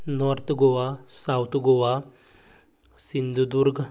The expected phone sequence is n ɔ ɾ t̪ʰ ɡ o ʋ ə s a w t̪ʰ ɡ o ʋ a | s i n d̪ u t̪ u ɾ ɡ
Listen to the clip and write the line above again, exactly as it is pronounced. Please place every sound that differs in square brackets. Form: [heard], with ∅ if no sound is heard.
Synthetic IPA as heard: n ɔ ɾ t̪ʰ ɡ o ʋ [a] s a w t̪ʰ ɡ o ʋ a | s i n d̪ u [d̪] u ɾ ɡ